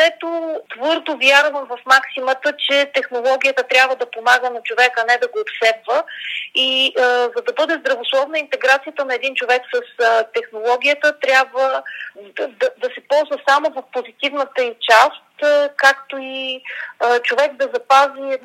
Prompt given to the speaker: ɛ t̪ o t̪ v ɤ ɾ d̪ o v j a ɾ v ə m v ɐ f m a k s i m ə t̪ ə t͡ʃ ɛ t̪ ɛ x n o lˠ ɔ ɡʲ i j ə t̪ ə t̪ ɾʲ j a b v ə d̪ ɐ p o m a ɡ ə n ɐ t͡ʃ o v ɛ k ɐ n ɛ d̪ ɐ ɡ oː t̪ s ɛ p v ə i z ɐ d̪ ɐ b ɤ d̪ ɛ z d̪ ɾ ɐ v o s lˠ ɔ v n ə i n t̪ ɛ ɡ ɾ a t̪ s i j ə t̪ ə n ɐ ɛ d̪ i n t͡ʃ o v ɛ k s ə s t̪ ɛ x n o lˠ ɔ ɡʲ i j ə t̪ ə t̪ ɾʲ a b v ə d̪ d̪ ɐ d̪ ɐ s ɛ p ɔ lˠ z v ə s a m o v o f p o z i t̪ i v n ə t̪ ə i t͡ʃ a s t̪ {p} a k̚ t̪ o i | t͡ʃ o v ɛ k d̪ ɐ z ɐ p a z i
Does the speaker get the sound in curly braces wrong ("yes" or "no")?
yes